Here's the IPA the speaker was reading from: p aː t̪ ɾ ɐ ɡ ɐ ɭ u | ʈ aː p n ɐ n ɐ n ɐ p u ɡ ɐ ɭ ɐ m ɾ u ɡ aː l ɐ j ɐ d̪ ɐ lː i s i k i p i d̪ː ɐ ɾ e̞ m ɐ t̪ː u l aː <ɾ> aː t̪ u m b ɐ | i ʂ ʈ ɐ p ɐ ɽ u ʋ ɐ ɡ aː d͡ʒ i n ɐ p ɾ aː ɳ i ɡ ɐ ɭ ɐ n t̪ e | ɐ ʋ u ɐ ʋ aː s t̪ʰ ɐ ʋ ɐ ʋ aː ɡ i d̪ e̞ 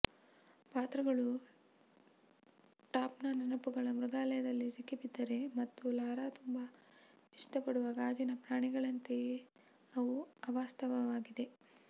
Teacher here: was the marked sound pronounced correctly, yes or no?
yes